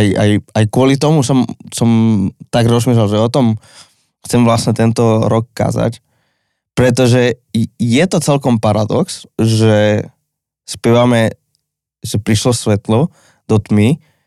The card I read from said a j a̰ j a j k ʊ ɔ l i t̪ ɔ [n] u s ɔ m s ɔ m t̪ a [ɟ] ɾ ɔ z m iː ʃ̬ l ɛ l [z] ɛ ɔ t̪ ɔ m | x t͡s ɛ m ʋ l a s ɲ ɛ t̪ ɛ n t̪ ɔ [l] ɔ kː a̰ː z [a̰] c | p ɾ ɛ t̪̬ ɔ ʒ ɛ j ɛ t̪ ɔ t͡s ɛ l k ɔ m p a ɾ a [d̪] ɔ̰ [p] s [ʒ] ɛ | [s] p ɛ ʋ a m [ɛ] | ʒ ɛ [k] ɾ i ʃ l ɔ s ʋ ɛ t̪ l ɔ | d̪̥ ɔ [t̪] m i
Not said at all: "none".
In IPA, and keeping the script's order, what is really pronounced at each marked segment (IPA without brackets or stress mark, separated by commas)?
m, ɡ, ʒ, ɾ, a̰, d̪, k, ʒ, s, ɛ, p, t̪